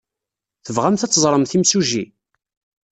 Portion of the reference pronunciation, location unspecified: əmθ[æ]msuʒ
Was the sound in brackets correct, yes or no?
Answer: no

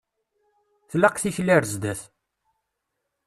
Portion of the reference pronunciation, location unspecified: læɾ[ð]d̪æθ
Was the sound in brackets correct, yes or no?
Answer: no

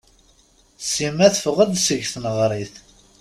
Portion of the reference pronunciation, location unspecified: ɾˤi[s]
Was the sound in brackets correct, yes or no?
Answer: no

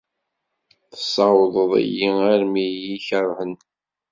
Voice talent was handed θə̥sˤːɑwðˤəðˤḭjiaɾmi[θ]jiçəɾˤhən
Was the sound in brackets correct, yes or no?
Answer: no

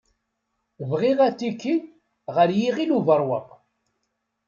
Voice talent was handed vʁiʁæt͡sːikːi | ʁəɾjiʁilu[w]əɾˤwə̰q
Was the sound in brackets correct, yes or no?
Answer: no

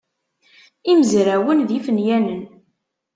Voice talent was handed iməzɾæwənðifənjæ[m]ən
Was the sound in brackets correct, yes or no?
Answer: no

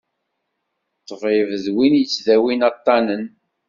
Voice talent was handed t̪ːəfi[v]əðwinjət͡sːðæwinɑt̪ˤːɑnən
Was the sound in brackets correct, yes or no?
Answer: yes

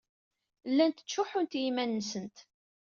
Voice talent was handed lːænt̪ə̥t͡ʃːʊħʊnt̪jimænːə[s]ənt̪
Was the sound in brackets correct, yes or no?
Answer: yes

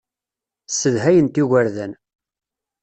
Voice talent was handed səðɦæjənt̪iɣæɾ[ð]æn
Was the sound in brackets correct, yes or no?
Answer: yes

